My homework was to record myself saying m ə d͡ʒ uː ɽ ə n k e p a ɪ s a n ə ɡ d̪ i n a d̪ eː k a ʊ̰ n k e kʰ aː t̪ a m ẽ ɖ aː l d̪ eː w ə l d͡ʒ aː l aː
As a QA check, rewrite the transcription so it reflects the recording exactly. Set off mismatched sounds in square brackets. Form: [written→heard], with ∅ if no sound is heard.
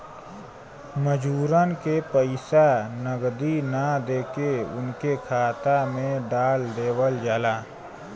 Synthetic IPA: m ə d͡ʒ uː [ɽ→ɾ] ə n k e p [a→ə] ɪ s a n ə ɡ d̪ i n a d̪ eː k [a→e] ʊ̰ n k e kʰ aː t̪ a m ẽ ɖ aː l d̪ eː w ə l d͡ʒ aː l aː